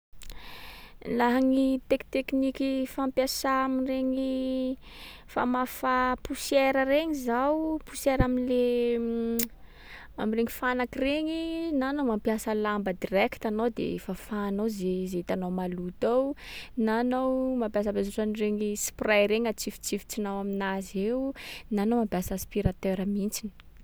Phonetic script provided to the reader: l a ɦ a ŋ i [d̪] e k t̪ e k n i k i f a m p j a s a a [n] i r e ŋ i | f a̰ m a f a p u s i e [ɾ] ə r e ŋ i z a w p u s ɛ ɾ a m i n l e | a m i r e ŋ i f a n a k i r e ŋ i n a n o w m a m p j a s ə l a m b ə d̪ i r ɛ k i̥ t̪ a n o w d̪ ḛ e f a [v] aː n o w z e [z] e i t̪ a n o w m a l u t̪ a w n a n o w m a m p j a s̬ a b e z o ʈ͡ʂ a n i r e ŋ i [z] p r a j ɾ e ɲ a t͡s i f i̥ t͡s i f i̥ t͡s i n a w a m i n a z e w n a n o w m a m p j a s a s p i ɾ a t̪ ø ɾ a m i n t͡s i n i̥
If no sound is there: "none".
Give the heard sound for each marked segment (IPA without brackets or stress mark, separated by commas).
t̪, m, ɾ, f, z, s